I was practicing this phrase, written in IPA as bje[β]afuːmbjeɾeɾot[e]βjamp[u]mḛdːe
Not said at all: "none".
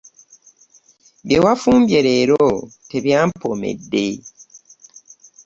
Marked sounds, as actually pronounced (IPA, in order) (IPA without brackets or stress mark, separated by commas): w, e, o